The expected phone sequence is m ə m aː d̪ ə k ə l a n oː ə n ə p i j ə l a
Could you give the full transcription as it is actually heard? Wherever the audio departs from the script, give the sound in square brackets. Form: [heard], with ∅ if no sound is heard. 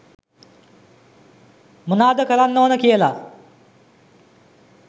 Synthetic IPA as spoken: m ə [n] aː d̪ ə k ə l a [nː] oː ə n ə [k] i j ə l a